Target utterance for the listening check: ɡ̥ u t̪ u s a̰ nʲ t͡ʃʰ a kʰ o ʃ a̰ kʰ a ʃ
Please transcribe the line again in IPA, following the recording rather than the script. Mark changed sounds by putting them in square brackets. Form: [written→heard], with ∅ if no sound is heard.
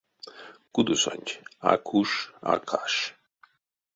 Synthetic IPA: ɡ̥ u [t̪→d̪] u s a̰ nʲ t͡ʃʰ a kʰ [o→u] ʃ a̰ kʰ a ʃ